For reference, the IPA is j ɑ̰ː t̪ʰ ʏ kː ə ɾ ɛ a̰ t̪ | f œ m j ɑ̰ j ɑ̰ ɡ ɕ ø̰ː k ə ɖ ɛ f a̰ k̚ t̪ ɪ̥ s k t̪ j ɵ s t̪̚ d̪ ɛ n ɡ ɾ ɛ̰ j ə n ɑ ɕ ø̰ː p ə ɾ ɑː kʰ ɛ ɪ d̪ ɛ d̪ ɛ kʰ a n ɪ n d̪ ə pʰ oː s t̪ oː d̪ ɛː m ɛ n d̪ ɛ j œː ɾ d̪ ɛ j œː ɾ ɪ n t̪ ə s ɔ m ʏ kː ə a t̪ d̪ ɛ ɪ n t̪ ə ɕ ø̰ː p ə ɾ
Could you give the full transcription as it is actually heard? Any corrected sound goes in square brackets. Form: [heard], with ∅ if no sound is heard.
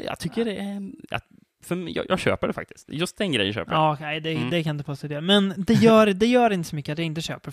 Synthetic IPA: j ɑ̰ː t̪ʰ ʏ kː ə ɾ ɛ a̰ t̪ | f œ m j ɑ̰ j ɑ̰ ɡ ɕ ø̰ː [p] ə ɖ ɛ f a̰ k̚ t̪ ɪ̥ s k t̪ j ɵ s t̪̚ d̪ ɛ n ɡ ɾ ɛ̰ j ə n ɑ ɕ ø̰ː p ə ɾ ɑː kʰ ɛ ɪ d̪ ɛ d̪ ɛ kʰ a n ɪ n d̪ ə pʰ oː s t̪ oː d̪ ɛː m ɛ n d̪ ɛ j œː ɾ d̪ ɛ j œː ɾ ɪ n t̪ ə s ɔ m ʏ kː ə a t̪ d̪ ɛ ɪ n t̪ ə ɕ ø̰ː p ə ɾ